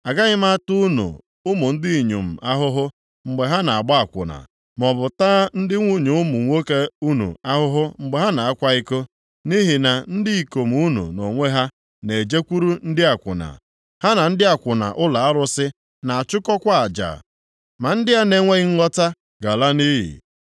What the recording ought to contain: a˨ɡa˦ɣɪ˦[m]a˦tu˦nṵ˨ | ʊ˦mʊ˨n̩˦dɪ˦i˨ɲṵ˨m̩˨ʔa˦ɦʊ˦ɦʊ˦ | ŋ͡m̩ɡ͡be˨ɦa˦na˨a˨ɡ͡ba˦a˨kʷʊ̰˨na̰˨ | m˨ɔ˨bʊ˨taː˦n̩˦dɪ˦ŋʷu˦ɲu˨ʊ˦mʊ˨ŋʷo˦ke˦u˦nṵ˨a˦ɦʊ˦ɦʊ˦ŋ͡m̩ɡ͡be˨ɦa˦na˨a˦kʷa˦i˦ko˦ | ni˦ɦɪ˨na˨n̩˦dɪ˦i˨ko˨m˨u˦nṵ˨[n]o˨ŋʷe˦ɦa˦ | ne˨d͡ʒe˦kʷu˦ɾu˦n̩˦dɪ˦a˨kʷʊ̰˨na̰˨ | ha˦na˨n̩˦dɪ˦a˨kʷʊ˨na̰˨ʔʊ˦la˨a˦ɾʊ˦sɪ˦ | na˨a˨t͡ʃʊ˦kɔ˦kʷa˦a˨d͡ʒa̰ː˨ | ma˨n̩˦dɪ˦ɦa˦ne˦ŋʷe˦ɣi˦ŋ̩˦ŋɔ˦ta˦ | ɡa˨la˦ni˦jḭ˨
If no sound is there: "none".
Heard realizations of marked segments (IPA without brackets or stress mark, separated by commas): m, n